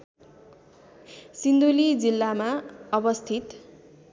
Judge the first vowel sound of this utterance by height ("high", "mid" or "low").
high